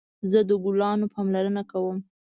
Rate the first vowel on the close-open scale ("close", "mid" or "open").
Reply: mid